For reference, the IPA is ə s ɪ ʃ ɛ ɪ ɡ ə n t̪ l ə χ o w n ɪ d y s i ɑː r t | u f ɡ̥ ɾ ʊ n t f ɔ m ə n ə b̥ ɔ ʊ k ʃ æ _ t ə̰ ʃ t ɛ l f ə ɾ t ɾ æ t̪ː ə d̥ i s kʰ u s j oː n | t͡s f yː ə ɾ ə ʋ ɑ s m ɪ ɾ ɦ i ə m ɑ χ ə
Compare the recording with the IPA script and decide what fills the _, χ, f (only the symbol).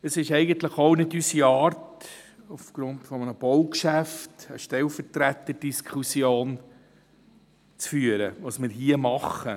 f